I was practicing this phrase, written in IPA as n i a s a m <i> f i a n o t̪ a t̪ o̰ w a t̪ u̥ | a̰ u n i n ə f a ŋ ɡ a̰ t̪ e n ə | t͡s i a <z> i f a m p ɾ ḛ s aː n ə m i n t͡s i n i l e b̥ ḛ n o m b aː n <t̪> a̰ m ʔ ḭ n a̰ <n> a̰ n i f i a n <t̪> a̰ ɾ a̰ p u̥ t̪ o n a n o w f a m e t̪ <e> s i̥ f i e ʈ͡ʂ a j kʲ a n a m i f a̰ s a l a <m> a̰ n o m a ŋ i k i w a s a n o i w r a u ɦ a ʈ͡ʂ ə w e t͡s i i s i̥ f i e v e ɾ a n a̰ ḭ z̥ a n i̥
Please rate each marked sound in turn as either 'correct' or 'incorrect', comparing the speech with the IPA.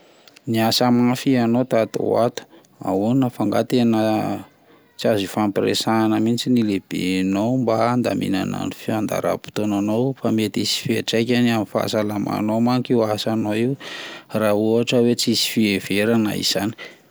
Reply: incorrect: a, correct, incorrect: d̪, correct, incorrect: d̪, incorrect: i, correct

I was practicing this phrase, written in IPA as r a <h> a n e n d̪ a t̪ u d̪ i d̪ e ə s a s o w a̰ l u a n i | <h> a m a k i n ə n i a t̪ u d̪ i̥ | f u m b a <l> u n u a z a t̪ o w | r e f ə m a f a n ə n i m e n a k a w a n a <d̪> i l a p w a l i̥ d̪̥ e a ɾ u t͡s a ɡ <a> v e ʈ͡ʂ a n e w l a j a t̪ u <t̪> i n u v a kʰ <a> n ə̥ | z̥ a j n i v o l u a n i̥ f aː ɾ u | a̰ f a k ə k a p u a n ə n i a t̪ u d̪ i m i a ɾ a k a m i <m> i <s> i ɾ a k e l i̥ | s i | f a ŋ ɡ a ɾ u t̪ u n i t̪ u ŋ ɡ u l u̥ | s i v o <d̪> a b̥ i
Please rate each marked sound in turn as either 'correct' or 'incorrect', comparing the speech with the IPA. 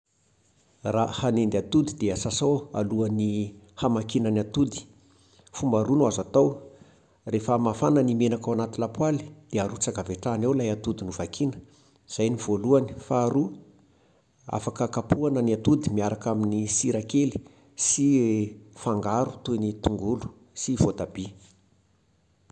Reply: correct, correct, incorrect: ɾ, incorrect: t̪, correct, incorrect: d̪, incorrect: i, incorrect: n, correct, incorrect: t̪

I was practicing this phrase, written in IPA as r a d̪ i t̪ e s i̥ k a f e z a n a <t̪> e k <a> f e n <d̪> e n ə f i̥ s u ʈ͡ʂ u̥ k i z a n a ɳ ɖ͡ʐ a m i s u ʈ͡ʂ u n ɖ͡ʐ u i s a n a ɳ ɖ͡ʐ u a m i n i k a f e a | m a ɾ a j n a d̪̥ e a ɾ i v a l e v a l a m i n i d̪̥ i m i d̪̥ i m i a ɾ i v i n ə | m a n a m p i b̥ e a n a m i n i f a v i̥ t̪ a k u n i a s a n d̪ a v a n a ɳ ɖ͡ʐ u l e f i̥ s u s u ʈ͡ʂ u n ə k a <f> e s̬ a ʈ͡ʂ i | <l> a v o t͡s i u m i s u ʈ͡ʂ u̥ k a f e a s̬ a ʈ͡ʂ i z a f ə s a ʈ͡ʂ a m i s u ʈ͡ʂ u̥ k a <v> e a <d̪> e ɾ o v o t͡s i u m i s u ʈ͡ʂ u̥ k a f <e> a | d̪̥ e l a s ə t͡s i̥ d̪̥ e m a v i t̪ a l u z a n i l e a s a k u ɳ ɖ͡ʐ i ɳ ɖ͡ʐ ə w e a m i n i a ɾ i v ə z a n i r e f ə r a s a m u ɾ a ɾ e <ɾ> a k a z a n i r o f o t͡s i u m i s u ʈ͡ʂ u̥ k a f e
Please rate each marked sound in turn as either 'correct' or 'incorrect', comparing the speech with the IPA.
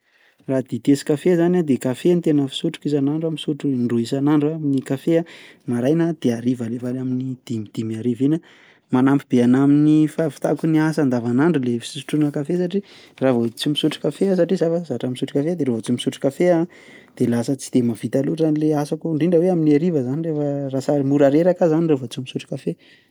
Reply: incorrect: d̪, correct, incorrect: t̪, correct, incorrect: r, incorrect: f, correct, correct, correct

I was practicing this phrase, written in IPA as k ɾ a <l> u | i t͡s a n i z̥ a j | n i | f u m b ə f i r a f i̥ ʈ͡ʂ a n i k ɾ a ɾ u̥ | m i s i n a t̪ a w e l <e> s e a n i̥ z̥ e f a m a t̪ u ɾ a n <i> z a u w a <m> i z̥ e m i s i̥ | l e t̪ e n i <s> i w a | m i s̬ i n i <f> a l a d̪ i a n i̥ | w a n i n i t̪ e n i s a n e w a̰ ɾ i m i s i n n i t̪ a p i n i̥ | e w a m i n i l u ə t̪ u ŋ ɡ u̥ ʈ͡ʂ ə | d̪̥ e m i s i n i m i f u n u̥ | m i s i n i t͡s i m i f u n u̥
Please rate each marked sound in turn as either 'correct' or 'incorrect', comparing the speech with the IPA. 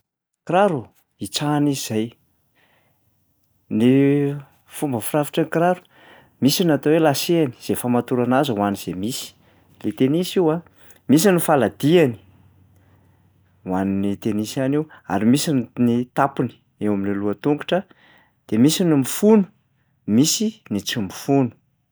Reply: incorrect: ɾ, incorrect: a, incorrect: a, incorrect: n, correct, correct

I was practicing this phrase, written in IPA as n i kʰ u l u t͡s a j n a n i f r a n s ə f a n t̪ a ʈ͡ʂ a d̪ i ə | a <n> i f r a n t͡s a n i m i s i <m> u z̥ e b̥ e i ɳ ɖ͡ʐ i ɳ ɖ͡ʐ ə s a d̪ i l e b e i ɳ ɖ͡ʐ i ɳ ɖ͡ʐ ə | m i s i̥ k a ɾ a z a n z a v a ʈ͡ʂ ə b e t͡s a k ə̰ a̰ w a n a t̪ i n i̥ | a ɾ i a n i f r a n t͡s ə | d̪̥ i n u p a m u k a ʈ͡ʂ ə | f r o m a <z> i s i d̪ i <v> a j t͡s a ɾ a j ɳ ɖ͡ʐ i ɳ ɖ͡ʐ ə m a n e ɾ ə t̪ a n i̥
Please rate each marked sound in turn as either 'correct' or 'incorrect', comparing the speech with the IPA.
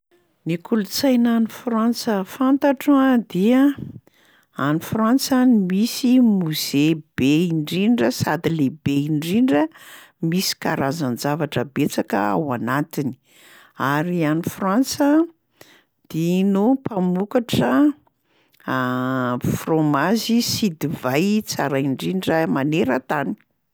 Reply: correct, correct, correct, correct

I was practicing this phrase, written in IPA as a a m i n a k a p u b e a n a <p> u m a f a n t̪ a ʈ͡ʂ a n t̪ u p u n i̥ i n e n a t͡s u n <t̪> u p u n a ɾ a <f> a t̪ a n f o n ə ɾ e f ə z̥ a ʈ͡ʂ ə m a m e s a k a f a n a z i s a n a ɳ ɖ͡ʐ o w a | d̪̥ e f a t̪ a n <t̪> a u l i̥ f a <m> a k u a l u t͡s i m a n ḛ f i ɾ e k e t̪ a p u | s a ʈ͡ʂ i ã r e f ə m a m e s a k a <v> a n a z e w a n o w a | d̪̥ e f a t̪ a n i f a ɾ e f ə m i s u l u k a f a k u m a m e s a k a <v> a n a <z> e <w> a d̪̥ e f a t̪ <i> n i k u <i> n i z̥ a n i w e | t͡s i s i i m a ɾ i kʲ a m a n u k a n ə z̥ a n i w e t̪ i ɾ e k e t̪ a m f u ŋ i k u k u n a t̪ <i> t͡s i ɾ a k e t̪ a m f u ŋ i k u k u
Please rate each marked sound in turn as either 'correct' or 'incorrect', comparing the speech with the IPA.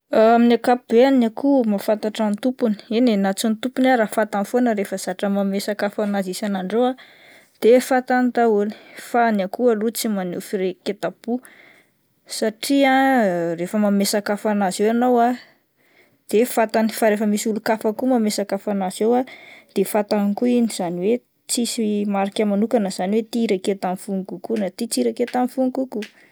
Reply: incorrect: k, correct, correct, correct, incorrect: n, incorrect: f, incorrect: f, correct, correct, incorrect: a, correct, correct

